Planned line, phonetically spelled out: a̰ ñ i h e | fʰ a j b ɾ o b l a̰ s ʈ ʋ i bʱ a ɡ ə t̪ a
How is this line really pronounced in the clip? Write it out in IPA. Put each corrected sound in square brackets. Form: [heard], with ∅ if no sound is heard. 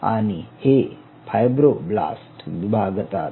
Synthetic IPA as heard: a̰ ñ i h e | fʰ a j b ɾ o b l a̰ s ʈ ʋ i bʱ a ɡ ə t̪ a